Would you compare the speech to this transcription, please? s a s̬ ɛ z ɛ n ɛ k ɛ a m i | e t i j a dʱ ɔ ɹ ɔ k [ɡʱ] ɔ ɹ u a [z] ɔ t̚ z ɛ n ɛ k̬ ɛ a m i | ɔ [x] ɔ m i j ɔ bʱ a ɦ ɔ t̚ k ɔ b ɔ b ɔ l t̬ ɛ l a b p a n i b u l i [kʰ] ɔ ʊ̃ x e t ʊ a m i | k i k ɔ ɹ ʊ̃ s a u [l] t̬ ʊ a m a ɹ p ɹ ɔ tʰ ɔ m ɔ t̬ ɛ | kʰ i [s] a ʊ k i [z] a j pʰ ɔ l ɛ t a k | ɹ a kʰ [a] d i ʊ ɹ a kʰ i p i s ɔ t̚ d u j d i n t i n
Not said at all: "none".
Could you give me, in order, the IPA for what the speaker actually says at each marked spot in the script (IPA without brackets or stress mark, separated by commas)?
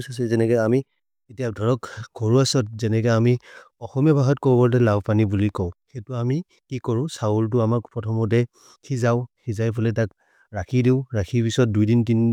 ɡʱ, s, x, k, l, z, z, i